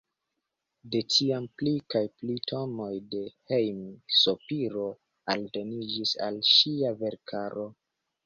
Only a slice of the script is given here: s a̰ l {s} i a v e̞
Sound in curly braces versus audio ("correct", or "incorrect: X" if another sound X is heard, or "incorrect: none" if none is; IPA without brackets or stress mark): incorrect: ʃ